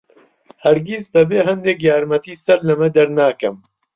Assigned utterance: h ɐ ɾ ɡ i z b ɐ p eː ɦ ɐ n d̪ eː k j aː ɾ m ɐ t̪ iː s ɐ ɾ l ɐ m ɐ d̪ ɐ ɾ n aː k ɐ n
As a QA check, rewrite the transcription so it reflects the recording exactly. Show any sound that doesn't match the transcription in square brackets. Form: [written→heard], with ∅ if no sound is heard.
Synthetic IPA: h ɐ ɾ ɡ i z b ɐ [p→b] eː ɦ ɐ n d̪ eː k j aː ɾ m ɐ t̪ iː s ɐ ɾ l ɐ m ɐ d̪ ɐ ɾ n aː k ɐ [n→m]